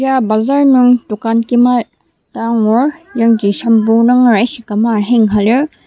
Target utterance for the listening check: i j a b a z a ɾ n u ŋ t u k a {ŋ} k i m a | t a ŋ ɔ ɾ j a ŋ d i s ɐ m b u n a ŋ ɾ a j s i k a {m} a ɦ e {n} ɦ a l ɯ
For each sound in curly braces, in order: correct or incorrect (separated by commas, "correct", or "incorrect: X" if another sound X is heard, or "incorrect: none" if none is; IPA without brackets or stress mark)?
incorrect: n, correct, incorrect: ŋ